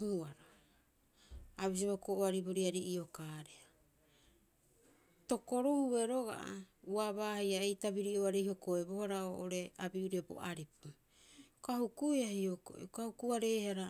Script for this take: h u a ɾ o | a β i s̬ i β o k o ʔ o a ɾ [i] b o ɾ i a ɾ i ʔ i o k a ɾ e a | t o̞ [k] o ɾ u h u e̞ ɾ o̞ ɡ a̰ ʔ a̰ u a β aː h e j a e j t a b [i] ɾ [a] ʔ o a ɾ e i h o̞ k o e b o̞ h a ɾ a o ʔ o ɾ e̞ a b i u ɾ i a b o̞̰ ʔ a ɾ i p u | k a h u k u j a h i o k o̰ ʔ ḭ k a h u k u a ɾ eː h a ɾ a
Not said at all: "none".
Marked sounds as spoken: i, k, i, i

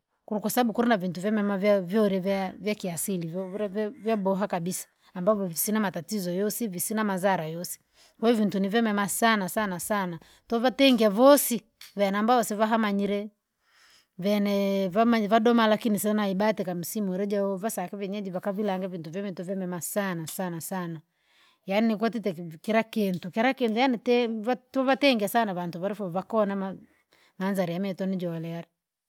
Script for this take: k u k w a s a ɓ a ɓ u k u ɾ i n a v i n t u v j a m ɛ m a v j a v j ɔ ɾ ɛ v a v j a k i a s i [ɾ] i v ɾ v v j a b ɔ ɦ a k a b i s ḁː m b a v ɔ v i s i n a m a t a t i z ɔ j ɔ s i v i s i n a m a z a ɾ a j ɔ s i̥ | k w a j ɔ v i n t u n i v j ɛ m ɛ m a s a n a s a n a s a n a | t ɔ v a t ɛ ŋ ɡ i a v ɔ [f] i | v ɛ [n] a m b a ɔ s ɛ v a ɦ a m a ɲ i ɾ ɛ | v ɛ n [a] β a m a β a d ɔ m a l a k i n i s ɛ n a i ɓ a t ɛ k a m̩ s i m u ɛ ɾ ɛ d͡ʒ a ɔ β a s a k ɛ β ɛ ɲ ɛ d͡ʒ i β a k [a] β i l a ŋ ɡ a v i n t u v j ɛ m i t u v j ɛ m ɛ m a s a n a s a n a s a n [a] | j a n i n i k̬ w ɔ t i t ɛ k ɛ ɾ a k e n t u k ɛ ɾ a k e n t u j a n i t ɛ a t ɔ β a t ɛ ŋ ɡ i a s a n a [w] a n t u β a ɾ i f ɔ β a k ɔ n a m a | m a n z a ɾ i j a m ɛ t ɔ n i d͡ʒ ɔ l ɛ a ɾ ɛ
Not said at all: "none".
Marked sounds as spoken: l, s, n, ɛ, a, a, β

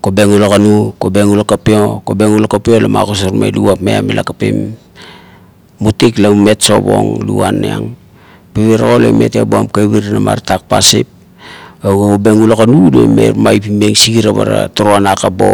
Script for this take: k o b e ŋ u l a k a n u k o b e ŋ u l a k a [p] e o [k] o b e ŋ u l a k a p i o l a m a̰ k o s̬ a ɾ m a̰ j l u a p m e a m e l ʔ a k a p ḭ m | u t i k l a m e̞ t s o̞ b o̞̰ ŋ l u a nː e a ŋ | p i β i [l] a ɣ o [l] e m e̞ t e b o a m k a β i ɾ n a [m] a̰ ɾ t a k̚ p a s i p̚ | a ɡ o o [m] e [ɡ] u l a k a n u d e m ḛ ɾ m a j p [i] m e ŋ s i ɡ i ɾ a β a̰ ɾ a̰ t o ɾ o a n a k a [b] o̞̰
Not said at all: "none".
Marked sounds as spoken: p, k, ɾ, l, m, b, ŋ, i, b

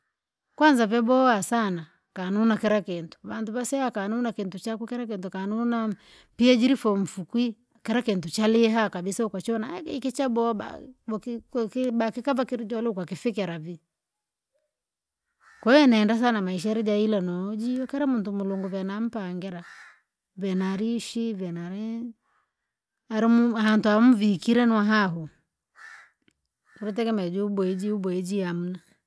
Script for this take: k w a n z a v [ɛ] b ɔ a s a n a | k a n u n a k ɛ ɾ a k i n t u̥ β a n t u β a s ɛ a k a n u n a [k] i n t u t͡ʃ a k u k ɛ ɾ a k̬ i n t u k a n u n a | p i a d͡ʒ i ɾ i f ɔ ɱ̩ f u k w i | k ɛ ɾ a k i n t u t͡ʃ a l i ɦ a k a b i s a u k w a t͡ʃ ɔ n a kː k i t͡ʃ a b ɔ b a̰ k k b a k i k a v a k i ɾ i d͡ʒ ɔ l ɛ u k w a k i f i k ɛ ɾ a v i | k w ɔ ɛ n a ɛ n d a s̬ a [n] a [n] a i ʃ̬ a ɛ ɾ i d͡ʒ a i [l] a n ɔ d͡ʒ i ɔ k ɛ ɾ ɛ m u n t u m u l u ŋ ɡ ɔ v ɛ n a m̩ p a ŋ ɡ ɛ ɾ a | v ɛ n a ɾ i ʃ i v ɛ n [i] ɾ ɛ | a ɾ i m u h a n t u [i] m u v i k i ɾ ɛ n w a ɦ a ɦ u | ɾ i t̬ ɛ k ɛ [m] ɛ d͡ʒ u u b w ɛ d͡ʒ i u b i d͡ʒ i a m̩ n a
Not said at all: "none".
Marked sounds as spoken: ɛ, k, n, m, l, a, a, m

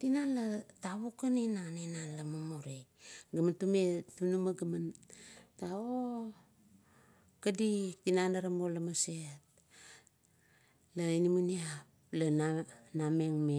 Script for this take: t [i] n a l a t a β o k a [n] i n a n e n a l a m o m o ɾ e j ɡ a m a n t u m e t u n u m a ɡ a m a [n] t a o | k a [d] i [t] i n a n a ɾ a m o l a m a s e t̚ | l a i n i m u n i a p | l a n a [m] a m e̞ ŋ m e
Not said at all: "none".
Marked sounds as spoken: i, n, n, d, t, n

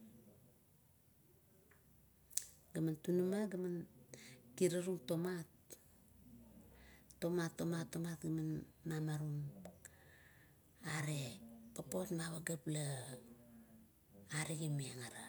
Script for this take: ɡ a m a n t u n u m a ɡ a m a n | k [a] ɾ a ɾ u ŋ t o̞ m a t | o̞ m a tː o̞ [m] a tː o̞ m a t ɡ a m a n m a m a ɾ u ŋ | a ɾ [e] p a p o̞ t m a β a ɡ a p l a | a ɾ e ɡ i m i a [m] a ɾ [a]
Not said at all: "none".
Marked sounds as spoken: i, m, e, ŋ, a

